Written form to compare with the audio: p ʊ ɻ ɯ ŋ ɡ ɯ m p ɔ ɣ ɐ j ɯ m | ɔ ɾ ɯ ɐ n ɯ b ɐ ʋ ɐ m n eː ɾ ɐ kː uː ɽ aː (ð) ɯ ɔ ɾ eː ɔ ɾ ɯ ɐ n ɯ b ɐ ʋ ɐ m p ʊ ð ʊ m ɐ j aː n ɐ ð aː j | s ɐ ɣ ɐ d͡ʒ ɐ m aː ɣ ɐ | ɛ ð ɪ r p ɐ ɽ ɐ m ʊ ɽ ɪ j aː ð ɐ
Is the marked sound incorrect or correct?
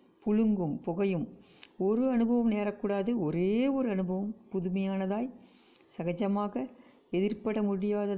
correct